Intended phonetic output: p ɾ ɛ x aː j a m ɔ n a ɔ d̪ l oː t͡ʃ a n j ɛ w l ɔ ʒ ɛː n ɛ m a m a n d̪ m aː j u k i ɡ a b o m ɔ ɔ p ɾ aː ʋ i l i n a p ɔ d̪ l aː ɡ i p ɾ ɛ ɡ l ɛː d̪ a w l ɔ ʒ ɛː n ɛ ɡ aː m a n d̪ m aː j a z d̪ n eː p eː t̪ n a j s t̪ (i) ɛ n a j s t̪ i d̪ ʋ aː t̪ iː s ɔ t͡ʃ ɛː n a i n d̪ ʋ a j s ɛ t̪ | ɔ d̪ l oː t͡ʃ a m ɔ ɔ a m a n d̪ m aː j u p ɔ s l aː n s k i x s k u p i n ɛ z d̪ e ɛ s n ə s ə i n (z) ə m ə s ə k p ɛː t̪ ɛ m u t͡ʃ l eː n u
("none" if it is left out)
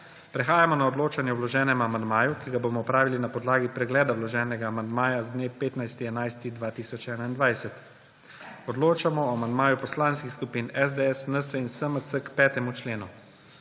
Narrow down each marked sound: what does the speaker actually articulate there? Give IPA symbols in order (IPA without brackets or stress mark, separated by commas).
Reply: i, s